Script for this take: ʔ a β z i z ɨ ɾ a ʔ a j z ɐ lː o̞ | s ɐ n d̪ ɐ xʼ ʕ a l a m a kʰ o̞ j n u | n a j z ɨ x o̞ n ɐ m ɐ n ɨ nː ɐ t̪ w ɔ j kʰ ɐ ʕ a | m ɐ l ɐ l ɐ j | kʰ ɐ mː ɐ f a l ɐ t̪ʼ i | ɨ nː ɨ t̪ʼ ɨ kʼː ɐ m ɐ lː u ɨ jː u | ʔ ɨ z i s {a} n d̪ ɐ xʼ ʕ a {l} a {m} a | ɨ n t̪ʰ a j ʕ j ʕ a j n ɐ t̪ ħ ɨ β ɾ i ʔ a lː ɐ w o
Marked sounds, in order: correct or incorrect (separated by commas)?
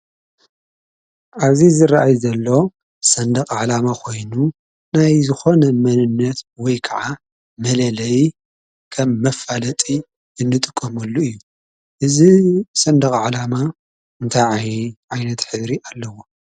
incorrect, correct, correct